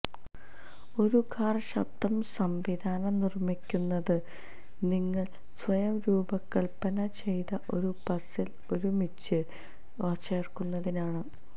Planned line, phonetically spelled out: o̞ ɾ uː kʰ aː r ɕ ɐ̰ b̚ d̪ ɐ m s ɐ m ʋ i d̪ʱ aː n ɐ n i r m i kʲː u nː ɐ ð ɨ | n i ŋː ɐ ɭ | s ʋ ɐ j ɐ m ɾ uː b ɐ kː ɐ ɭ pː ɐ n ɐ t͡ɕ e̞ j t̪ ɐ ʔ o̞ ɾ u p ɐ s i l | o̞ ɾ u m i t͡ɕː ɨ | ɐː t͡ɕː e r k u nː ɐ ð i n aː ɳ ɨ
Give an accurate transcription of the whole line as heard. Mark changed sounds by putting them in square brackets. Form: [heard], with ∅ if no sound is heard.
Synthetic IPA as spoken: o̞ ɾ [u] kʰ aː r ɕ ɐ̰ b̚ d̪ ɐ m s ɐ m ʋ i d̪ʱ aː n ɐ n i r m i kʲː u nː ɐ ð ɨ | n i ŋː ɐ ɭ | s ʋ ɐ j ɐ m ɾ uː b ɐ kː ɐ ɭ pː ɐ n ɐ t͡ɕ e̞ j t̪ ɐ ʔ o̞ ɾ u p ɐ s i l | o̞ ɾ u m i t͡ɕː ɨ | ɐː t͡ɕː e r k u nː ɐ ð i n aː ɳ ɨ

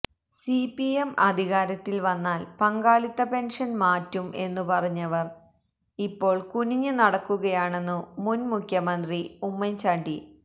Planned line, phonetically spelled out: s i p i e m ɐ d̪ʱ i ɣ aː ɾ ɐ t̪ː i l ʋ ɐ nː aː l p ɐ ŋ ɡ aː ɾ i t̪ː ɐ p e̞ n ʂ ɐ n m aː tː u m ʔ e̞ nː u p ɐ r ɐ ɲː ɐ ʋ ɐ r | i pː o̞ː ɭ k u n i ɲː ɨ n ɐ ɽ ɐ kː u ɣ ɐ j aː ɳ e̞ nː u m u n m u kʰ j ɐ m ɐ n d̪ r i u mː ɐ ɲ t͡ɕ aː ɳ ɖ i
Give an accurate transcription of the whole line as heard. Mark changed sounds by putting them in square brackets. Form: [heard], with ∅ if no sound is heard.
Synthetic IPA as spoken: s i p i e m ɐ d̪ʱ i ɣ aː ɾ ɐ t̪ː i l ʋ ɐ nː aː l p ɐ ŋ ɡ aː [ɭ] i t̪ː ɐ p e̞ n ʂ ɐ n m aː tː u m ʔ e̞ nː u p ɐ r ɐ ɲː ɐ ʋ ɐ r | i pː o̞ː ɭ k u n i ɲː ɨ n ɐ ɽ ɐ kː u ɣ ɐ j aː ɳ e̞ nː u m u n m u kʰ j ɐ m ɐ n d̪ r i u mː ɐ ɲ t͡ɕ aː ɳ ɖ i

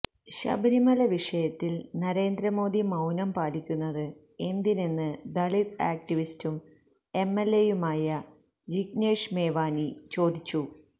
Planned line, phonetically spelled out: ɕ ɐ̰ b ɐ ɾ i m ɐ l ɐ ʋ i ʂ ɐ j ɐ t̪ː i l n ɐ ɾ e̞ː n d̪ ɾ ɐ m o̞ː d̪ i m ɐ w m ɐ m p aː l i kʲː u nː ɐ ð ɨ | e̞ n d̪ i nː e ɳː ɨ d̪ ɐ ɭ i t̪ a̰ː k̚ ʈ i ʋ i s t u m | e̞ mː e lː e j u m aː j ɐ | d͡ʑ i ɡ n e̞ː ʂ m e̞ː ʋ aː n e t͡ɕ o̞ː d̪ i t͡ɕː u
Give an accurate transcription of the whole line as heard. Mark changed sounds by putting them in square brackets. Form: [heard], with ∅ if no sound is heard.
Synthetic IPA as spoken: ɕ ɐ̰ b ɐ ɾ i m ɐ l ɐ ʋ i ʂ ɐ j ɐ t̪ː i l n ɐ ɾ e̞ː n d̪ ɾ ɐ m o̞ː d̪ i m ɐ w [n] ɐ m p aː l i kʲː u nː ɐ ð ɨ | e̞ n d̪ i [n] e [nː] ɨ d̪ ɐ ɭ i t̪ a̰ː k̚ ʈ i ʋ i s t u m | e̞ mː e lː e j u m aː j ɐ | d͡ʑ i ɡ n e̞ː ʂ m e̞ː ʋ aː n [i] t͡ɕ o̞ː d̪ i t͡ɕː u

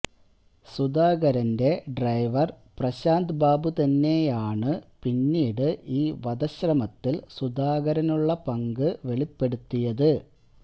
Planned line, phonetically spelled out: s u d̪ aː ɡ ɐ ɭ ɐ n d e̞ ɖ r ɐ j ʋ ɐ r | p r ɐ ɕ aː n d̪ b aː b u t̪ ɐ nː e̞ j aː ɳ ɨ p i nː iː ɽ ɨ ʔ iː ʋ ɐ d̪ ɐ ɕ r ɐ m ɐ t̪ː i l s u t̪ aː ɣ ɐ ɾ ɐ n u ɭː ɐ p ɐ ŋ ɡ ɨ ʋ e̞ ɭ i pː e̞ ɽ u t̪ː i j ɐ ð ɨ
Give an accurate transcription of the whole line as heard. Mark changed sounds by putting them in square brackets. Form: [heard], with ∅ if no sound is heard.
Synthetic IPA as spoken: s u d̪ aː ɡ ɐ [ɾ] ɐ n d e̞ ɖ r ɐ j ʋ ɐ r | p r ɐ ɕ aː n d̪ b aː b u t̪ ɐ nː e̞ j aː ɳ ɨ p i nː iː ɽ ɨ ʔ iː ʋ ɐ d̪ ɐ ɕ r ɐ m ɐ t̪ː i l s u [d̪] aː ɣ ɐ ɾ ɐ n u ɭː ɐ p ɐ ŋ ɡ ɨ ʋ e̞ ɭ i pː e̞ ɽ u t̪ː i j ɐ ð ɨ

